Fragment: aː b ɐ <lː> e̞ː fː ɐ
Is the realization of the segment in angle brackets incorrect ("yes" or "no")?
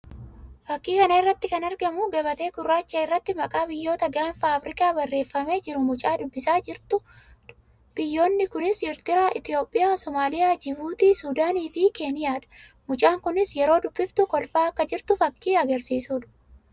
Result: yes